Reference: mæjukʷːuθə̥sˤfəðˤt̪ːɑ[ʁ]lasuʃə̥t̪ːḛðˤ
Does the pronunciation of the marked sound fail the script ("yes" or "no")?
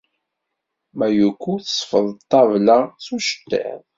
yes